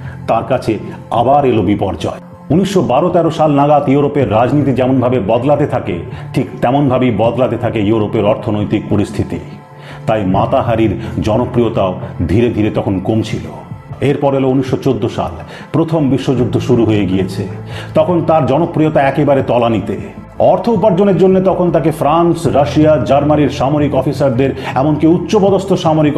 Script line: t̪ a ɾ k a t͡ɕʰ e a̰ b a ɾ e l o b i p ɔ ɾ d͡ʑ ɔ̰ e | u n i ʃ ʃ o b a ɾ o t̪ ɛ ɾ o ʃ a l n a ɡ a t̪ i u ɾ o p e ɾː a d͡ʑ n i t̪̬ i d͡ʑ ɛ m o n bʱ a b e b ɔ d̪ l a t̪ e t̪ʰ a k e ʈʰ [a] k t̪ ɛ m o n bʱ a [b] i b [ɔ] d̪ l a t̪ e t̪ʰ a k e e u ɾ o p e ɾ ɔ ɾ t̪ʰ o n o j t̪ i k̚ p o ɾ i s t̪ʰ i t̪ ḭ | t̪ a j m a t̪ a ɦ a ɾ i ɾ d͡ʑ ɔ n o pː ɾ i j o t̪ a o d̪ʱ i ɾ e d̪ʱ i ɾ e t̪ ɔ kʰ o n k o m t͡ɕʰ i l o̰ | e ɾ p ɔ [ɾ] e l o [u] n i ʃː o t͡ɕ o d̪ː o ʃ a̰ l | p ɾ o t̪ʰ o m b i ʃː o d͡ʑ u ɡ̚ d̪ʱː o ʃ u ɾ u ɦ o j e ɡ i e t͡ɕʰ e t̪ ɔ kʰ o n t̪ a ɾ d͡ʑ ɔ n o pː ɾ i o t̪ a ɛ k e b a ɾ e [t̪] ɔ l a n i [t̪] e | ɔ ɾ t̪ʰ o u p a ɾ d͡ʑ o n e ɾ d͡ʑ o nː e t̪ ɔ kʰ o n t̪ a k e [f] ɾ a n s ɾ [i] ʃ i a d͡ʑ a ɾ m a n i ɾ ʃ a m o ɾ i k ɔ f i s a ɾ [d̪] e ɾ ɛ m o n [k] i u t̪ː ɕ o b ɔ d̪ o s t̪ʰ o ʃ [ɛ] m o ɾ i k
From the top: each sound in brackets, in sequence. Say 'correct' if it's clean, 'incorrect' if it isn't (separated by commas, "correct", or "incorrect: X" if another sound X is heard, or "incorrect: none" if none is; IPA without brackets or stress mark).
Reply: incorrect: i, correct, correct, correct, correct, correct, correct, correct, incorrect: a, correct, correct, incorrect: a